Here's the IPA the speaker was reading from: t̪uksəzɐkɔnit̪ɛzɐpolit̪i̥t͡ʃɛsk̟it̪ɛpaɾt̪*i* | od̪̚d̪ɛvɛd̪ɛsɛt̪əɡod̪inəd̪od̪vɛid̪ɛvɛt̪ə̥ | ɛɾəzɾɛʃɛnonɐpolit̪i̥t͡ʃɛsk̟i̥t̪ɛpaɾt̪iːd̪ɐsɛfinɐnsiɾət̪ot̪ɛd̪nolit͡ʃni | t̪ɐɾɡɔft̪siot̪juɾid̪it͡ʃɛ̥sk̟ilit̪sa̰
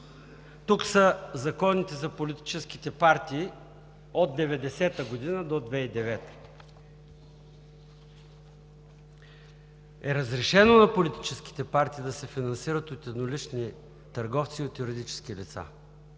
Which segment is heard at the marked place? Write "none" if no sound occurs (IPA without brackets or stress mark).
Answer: iː